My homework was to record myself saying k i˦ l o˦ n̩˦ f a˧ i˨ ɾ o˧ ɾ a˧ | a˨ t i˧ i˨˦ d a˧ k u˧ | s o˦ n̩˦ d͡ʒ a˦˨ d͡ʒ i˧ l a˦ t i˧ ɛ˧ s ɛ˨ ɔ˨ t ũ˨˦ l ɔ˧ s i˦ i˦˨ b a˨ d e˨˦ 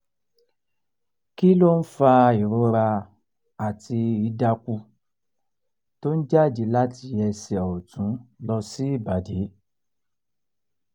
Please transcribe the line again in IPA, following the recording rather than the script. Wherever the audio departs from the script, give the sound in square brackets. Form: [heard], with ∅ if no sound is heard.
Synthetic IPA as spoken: k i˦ l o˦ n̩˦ f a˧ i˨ ɾ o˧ ɾ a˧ | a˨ t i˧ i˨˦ d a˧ k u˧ | [t] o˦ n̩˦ d͡ʒ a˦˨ d͡ʒ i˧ l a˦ t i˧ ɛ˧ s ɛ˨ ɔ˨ t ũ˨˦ l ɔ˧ s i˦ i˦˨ b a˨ d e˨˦